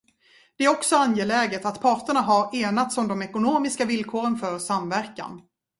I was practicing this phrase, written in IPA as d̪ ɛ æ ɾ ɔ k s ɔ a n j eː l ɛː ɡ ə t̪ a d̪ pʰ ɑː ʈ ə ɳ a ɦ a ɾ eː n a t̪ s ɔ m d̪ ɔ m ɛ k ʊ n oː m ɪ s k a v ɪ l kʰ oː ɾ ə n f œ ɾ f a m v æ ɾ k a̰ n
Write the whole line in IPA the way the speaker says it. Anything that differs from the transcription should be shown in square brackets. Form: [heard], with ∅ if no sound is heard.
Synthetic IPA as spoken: d̪ ɛ æ ɾ ɔ k s ɔ a n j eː l ɛː ɡ ə t̪ a [t̪] pʰ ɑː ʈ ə ɳ a ɦ a ɾ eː n a t̪ s ɔ m d̪ ɔ m ɛ k ʊ n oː m ɪ s k a v ɪ l kʰ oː ɾ ə n f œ ɾ [s] a m v æ ɾ k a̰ n